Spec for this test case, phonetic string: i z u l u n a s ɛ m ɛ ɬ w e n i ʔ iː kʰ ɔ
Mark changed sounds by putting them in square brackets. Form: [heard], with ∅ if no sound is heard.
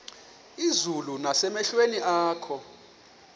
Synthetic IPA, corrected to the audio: i z u l u n a s ɛ m ɛ ɬ w e n i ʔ [aː] kʰ ɔ